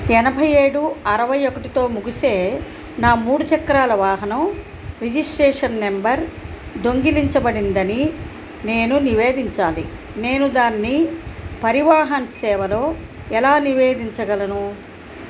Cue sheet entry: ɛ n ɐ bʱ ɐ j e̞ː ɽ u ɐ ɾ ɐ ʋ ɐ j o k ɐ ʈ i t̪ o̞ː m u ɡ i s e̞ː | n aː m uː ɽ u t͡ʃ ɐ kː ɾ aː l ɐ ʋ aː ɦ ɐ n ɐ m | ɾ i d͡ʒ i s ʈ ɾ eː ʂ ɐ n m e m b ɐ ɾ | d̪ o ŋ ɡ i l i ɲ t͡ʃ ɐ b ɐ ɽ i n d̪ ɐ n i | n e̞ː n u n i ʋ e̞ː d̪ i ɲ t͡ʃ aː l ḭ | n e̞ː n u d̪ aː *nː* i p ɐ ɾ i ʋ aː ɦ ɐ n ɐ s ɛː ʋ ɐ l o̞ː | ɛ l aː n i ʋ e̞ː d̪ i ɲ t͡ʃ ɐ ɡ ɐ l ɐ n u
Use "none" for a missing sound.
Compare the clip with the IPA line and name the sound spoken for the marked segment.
nː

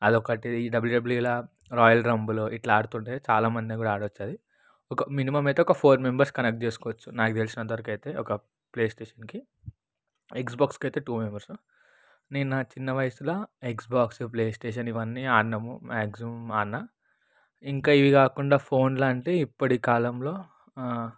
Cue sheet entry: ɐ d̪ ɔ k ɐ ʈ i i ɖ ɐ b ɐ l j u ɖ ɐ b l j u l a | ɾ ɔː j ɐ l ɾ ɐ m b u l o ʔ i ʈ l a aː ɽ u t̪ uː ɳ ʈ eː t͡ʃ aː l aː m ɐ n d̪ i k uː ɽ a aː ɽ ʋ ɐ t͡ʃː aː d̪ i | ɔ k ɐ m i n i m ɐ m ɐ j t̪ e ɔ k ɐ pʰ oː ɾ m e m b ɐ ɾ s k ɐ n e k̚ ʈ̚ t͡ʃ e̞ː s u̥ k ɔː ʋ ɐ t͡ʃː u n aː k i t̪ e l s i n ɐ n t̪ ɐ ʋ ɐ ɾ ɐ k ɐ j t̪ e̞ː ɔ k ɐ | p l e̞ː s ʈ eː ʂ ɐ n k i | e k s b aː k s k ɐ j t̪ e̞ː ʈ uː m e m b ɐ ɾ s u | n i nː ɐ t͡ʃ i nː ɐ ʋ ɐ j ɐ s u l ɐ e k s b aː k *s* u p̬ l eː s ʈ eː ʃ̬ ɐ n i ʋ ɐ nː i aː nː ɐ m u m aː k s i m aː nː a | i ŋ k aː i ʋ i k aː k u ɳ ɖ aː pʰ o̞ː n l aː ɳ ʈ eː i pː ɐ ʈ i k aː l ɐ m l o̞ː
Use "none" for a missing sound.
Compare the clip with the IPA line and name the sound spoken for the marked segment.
s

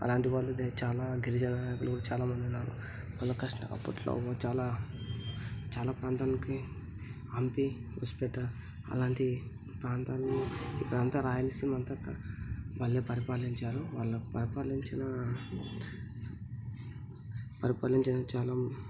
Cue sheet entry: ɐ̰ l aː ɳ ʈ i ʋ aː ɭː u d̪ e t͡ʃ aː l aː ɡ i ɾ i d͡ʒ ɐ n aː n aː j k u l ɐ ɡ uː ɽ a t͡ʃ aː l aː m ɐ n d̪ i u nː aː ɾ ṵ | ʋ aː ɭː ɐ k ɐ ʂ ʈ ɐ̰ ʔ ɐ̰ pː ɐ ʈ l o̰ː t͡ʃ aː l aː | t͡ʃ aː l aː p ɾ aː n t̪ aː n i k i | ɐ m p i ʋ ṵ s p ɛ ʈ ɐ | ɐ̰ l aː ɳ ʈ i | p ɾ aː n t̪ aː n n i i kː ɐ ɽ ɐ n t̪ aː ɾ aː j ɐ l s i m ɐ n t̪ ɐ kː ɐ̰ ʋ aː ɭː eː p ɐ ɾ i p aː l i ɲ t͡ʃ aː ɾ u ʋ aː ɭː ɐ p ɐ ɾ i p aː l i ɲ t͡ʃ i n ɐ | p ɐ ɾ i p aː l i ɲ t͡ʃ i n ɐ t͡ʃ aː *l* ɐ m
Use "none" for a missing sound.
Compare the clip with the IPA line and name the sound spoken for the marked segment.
l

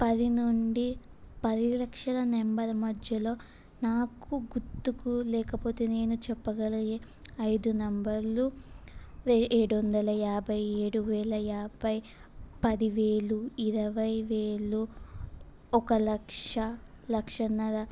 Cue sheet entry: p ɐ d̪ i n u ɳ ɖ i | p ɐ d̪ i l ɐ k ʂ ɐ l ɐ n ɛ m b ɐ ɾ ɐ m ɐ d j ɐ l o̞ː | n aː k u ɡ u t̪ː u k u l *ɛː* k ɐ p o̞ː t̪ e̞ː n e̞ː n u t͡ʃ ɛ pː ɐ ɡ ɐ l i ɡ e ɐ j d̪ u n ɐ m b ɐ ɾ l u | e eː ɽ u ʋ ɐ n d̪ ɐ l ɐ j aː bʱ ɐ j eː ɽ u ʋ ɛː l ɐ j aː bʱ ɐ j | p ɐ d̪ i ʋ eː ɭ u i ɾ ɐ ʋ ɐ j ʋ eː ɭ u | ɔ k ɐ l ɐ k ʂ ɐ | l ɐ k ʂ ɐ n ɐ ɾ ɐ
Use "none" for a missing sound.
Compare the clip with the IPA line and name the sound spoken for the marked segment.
ɛː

